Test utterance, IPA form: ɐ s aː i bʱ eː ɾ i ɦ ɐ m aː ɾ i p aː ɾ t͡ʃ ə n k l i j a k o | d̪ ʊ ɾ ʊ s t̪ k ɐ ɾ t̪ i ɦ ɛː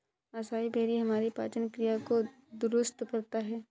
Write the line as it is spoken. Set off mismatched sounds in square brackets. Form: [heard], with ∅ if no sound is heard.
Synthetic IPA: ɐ s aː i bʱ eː ɾ i ɦ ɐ m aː ɾ i p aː [∅] t͡ʃ ə n k [ɾ] i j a k o | d̪ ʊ ɾ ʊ s t̪ k ɐ ɾ t̪ [a] ɦ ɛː